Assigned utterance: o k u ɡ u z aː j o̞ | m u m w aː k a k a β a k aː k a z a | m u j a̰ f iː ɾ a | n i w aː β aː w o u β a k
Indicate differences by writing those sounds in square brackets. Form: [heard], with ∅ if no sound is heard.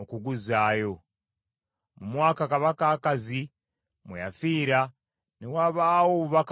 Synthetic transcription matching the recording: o k u ɡ u z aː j o̞ | m u m w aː k a k a β a k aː k a z [i] | m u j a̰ f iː ɾ a | n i w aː β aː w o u β a k